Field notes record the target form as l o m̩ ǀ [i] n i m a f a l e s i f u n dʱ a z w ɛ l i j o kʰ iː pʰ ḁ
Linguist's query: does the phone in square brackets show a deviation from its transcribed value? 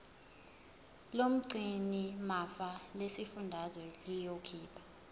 no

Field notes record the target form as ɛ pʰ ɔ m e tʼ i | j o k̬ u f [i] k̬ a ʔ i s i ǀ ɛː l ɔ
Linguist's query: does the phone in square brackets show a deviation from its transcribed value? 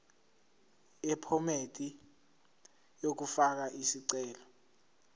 yes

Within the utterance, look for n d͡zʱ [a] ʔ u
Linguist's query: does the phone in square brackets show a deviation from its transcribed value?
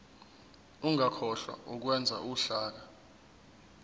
no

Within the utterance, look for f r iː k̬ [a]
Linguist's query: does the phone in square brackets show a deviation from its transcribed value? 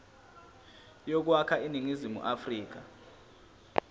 no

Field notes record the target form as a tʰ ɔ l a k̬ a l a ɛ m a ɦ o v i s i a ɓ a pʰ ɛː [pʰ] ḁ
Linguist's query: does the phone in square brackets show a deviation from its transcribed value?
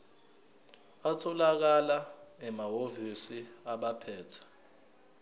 yes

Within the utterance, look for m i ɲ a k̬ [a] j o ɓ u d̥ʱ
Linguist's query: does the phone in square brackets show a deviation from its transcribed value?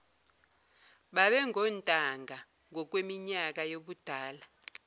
no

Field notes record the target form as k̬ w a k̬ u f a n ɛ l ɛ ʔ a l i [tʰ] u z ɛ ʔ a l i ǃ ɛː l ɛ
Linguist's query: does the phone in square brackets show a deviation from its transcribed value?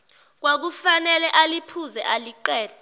yes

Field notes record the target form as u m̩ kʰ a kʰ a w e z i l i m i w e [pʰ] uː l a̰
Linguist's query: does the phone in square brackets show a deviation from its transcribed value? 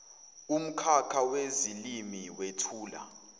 yes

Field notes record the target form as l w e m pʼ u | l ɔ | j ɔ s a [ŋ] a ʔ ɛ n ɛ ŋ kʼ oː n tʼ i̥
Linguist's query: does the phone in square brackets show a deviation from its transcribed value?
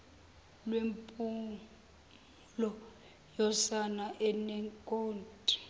yes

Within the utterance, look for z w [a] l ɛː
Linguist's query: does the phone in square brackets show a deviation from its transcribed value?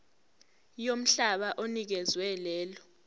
yes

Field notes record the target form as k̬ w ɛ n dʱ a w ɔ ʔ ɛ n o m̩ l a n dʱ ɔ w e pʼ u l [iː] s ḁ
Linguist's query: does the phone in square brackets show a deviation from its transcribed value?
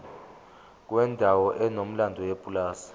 yes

